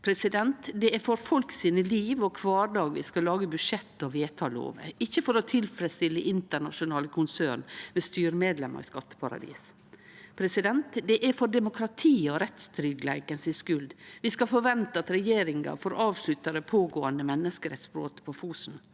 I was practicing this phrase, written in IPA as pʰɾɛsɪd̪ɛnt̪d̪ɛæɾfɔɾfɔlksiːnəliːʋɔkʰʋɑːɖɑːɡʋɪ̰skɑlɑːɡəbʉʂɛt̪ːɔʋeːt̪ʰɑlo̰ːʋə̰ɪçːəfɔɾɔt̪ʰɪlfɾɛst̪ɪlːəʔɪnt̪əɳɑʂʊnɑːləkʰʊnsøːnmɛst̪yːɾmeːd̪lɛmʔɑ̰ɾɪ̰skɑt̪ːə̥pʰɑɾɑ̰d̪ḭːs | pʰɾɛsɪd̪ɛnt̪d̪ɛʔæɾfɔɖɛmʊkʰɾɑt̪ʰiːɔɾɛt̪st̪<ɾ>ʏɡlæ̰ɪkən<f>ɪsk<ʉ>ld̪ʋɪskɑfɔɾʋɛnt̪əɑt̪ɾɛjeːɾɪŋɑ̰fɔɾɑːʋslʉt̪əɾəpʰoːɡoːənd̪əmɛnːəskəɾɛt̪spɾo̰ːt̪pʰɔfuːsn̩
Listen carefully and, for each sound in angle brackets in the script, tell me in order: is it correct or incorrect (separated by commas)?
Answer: correct, incorrect, correct